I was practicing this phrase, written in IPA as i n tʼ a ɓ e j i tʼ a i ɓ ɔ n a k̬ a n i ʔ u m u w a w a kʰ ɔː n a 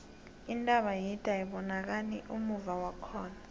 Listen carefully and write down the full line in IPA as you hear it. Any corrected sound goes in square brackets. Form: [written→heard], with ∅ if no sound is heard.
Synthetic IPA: i n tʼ a ɓ [e→a] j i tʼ a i ɓ ɔ n a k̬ a n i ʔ u m u [w→v] a w a kʰ ɔː n a